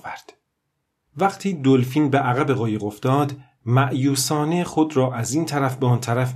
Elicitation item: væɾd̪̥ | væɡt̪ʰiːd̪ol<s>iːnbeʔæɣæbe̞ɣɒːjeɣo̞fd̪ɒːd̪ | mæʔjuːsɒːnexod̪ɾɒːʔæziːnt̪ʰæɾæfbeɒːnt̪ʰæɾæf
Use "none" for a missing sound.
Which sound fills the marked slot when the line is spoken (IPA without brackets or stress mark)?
f